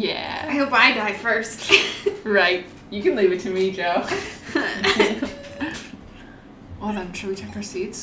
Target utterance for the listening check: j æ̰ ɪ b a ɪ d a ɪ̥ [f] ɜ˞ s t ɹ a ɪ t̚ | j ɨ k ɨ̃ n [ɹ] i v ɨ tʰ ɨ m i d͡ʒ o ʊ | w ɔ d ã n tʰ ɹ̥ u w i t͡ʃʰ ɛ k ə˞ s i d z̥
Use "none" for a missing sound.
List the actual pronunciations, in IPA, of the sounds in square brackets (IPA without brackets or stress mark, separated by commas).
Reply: f, l